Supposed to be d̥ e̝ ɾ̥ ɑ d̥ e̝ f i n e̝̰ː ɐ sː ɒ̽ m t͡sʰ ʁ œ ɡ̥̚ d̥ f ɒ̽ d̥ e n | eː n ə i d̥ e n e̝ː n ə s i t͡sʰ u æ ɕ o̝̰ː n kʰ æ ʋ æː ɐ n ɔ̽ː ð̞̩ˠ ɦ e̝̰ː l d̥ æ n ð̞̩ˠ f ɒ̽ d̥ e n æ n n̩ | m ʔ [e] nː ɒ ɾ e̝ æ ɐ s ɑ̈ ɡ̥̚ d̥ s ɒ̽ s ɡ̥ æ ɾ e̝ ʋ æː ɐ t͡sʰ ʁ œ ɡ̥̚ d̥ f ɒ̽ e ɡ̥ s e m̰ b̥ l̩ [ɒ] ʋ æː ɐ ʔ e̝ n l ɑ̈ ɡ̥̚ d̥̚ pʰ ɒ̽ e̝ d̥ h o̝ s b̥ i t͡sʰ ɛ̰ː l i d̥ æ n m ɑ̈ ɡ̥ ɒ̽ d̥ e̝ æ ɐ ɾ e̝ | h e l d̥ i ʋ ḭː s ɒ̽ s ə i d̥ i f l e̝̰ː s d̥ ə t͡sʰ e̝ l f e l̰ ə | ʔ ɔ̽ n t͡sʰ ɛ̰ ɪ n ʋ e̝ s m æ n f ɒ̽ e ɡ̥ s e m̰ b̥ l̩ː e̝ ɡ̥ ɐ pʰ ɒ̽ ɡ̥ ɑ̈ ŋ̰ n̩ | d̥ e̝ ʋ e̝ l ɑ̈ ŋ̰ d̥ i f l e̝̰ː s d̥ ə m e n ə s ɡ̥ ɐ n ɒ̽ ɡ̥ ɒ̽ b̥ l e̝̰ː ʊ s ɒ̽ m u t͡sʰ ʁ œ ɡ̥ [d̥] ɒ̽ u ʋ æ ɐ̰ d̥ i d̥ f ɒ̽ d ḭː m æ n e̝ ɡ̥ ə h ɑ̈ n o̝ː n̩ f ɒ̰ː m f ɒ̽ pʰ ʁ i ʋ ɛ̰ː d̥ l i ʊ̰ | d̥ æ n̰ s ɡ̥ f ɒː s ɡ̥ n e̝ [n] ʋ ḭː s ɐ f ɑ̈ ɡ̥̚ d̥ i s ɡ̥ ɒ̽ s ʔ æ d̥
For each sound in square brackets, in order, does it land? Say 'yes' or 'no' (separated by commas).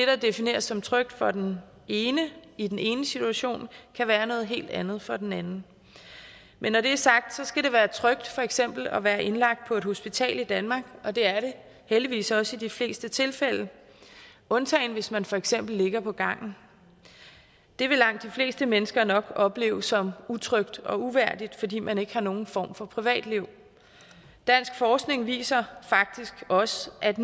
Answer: yes, yes, yes, no